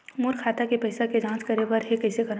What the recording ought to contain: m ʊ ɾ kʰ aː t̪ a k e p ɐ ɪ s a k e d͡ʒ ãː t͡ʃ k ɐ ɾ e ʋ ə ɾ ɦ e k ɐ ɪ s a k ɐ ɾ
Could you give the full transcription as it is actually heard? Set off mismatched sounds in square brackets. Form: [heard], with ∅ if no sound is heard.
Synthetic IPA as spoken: m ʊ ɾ kʰ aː t̪ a k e p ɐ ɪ s a k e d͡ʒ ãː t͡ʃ k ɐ ɾ e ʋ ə ɾ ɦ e k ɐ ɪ s [e] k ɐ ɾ